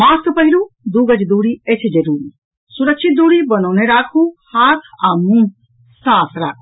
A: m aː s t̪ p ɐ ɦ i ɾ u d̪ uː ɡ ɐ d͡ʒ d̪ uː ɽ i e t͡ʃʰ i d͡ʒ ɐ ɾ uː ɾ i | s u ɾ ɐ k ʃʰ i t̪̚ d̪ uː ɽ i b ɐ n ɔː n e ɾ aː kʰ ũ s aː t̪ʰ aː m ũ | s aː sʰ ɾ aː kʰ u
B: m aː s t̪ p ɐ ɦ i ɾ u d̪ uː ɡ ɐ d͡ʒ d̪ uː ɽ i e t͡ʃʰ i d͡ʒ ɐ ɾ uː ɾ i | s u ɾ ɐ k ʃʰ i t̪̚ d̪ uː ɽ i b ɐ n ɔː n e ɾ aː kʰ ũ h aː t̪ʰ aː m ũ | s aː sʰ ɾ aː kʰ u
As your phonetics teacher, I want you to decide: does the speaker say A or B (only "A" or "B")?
B